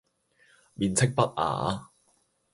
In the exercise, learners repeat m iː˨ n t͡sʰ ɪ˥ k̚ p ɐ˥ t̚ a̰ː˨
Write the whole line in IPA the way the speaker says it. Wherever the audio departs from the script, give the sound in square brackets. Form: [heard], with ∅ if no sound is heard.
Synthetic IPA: m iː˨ n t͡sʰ ɪ˥ k̚ p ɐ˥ t̚ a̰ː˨